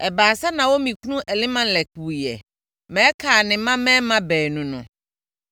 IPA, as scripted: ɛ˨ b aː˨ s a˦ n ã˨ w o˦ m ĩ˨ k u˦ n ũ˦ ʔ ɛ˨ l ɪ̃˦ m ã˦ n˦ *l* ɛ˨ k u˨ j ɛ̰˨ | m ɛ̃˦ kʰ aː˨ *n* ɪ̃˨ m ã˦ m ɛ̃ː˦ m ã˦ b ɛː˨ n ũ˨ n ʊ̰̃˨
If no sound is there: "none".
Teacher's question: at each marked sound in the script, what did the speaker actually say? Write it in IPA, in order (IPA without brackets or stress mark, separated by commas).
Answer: l, n